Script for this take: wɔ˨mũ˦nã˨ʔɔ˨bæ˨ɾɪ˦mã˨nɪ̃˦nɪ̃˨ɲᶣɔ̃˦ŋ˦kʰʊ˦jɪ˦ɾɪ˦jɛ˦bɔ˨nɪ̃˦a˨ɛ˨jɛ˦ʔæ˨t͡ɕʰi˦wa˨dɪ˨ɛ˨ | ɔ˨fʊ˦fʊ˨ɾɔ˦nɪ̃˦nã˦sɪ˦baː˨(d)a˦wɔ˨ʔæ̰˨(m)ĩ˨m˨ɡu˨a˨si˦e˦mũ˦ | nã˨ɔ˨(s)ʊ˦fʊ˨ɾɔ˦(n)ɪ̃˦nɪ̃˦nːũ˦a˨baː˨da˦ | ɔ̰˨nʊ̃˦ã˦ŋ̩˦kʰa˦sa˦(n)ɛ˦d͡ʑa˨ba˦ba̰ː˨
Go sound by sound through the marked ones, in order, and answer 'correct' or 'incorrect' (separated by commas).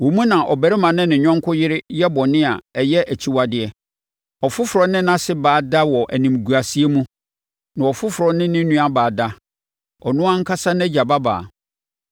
correct, incorrect, incorrect, correct, correct